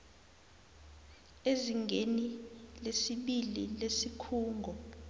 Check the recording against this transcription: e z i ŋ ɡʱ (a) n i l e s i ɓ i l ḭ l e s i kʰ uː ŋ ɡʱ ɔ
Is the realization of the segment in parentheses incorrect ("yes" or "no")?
yes